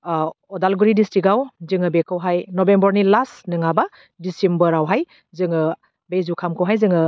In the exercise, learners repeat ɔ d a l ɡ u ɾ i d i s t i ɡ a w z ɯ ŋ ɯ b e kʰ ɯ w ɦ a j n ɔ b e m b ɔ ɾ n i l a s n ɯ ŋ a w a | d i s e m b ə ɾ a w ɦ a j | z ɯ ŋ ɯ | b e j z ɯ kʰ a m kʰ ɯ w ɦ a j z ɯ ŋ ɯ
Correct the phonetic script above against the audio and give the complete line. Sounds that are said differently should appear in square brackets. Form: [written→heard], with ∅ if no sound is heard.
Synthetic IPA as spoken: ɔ d a l ɡ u ɾ i d i s t i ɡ a w z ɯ ŋ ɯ b e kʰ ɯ w ɦ a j n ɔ b e m b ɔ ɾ n i l a s n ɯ ŋ a [w→b] a | d i s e m b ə ɾ a w ɦ a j | z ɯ ŋ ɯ | b e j z [ɯ→u] kʰ a m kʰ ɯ w ɦ a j z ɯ ŋ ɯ